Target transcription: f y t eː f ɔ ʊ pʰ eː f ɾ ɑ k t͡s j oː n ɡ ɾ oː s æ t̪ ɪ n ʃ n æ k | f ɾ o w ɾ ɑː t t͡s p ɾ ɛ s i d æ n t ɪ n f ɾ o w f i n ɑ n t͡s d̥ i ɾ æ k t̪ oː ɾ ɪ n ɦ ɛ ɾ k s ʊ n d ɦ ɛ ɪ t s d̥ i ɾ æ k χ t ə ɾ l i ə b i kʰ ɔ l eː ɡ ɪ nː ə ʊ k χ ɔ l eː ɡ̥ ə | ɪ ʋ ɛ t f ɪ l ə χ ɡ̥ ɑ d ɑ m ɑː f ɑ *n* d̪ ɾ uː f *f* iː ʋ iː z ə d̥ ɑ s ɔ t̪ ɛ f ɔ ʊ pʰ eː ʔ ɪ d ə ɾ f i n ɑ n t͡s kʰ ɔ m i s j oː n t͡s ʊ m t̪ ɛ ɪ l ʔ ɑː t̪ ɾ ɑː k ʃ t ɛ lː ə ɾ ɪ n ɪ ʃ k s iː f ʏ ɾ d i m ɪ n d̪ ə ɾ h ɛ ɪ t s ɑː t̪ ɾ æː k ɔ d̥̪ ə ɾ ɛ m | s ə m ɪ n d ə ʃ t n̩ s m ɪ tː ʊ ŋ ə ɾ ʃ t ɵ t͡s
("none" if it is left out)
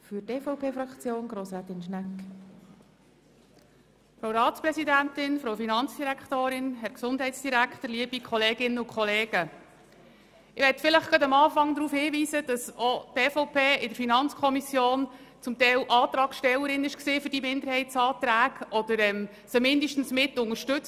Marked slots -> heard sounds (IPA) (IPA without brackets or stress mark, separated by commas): ŋ, h